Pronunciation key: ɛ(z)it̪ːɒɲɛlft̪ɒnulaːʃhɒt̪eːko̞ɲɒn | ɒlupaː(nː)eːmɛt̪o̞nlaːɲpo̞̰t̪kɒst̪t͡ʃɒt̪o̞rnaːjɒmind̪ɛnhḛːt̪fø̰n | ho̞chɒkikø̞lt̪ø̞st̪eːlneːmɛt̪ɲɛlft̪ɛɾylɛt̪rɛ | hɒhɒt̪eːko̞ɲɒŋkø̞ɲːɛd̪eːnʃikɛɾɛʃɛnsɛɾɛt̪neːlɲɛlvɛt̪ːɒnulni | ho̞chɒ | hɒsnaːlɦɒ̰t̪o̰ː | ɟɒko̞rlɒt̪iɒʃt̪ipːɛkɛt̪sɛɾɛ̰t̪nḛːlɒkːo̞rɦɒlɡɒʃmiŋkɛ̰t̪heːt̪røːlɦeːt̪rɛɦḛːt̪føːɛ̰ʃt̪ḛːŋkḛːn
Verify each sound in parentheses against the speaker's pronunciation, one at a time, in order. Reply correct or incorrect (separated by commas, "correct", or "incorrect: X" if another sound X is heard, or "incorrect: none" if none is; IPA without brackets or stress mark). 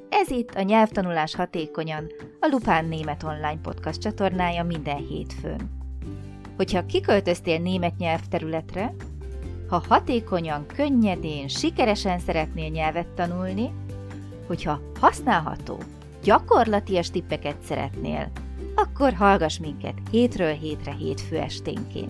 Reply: correct, correct